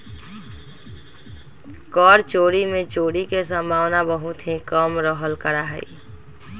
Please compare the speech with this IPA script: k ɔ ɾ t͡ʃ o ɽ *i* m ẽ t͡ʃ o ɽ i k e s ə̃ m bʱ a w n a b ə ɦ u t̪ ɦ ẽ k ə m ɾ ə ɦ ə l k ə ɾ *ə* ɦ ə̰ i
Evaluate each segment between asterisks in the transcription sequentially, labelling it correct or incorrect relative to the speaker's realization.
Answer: correct, incorrect: a

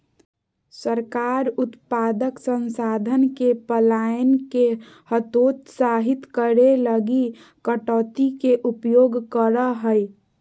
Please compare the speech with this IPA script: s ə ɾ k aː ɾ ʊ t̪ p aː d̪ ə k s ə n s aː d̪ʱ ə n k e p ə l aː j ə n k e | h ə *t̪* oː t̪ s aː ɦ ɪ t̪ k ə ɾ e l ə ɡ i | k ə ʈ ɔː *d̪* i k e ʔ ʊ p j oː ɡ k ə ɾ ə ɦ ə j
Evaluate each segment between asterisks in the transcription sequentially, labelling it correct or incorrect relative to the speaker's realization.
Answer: correct, incorrect: t̪

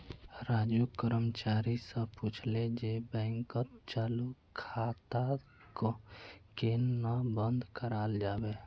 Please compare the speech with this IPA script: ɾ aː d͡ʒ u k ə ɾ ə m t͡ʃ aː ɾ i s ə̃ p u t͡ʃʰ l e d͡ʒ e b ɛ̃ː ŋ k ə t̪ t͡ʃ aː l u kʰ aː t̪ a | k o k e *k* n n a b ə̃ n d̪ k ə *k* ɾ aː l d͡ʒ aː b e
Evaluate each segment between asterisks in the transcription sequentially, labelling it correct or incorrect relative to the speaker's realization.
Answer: incorrect: none, incorrect: none

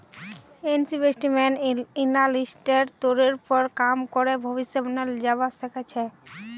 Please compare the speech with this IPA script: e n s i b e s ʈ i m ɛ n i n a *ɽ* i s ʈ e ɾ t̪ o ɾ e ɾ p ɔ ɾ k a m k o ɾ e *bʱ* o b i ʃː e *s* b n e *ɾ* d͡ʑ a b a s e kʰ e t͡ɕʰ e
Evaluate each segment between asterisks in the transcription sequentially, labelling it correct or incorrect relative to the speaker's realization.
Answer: incorrect: l, correct, incorrect: none, incorrect: l

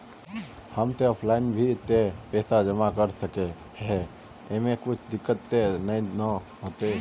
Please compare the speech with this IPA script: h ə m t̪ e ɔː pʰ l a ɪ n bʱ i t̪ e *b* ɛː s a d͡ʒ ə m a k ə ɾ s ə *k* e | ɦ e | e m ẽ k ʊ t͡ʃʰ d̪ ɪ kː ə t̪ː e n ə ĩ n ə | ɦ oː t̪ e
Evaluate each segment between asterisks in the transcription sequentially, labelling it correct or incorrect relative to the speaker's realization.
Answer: incorrect: p, correct

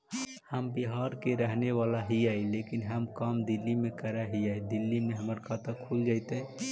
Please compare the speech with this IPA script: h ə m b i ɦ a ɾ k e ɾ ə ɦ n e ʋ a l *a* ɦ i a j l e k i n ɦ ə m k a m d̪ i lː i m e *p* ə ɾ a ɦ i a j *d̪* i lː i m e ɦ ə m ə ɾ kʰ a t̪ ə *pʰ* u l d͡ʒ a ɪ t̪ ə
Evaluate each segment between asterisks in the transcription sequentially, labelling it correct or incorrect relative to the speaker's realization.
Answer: correct, incorrect: k, correct, incorrect: kʰ

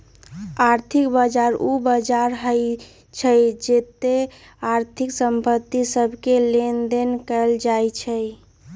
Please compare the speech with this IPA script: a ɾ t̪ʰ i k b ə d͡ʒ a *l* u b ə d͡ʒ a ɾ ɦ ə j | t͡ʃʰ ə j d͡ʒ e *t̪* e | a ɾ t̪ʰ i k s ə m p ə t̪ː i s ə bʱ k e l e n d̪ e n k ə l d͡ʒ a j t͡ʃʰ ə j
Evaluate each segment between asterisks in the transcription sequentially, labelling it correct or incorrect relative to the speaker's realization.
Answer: incorrect: ɾ, correct

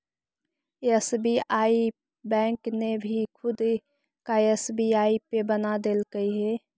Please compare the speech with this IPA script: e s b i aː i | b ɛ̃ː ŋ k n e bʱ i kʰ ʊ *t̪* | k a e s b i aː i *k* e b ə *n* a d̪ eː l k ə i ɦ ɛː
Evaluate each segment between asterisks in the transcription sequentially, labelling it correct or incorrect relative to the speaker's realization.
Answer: incorrect: d̪, incorrect: p, correct

